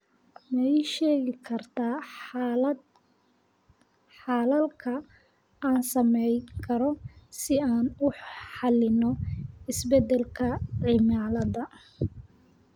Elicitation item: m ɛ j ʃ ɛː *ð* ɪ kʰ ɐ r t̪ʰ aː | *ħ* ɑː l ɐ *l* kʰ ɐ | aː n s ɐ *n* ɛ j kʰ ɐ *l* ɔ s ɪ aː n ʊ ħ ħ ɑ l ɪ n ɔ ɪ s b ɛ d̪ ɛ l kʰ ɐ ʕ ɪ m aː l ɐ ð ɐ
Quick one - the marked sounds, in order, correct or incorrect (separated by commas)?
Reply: incorrect, correct, correct, incorrect, incorrect